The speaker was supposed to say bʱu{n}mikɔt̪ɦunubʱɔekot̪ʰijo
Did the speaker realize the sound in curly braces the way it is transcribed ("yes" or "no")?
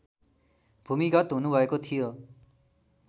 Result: no